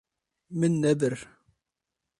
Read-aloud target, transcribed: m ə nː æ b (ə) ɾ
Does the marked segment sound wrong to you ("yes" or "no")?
no